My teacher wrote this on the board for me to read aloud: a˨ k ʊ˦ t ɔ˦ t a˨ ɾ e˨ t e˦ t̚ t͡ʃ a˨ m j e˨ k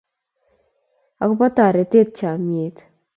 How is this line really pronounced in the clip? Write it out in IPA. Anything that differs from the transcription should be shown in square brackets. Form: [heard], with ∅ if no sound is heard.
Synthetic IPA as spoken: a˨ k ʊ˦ [p] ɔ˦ t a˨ ɾ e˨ t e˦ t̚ t͡ʃ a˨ m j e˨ [t]